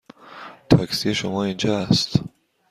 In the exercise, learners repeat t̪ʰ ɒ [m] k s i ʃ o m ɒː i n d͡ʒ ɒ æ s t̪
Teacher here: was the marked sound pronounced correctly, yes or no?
no